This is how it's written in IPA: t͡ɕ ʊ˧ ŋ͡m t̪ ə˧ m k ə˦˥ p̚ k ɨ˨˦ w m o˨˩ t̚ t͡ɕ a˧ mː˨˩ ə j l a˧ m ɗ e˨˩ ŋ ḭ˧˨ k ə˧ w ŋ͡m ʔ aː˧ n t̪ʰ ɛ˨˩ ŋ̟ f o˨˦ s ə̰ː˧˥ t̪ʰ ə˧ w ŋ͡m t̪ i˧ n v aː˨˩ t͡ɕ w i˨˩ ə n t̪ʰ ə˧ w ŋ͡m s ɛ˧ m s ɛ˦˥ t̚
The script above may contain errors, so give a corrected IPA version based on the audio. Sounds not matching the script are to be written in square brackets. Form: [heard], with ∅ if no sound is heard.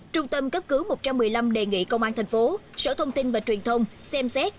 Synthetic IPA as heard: t͡ɕ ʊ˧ ŋ͡m t̪ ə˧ m k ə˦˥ p̚ k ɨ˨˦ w m o˨˩ t̚ t͡ɕ a˧ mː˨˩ ə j l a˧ m ɗ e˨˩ ŋ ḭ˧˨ k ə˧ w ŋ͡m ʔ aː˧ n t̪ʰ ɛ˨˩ ŋ̟ f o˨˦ s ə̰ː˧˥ t̪ʰ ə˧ w ŋ͡m t̪ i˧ n v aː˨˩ t͡ɕ w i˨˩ ə n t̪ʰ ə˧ w ŋ͡m s ɛ˧ m s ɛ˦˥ t̚